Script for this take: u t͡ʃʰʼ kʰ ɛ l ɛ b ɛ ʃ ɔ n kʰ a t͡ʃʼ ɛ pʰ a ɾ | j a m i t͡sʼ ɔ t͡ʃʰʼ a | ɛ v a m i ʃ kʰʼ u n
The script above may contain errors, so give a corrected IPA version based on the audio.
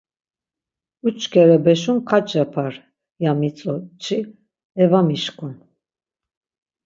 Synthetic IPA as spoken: u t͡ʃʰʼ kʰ ɛ ɾ ɛ b ɛ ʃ u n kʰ a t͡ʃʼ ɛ pʰ a ɾ | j a m i t͡sʼ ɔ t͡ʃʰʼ i | ɛ v a m i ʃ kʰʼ u n